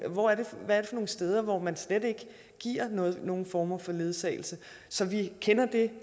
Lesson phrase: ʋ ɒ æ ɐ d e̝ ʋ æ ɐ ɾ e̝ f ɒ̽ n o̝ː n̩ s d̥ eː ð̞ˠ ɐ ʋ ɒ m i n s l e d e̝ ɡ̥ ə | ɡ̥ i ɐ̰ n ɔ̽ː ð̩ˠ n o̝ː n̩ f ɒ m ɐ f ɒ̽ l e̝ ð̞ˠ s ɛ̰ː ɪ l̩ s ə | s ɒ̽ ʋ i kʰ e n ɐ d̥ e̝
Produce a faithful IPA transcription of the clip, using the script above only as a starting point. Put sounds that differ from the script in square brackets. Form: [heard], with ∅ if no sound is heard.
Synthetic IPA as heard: ʋ ɒ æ ɐ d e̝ ʋ æ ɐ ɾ e̝ f ɒ̽ n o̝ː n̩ s d̥ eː ð̞ˠ ɐ ʋ ɒ m [æ] n s l e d e̝ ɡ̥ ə | ɡ̥ i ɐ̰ n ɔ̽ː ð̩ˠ n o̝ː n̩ f [ɒː] m ɐ f ɒ̽ l e̝ ð̞ˠ s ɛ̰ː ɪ l̩ s ə | s ɒ̽ ʋ i kʰ e n ɐ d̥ e̝